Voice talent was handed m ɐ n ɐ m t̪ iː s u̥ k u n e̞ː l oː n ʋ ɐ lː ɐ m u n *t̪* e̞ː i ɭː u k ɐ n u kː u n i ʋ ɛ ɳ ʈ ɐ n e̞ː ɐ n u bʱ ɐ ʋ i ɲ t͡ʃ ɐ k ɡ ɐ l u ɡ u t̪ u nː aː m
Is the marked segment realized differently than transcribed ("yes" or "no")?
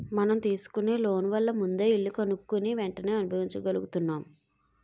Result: yes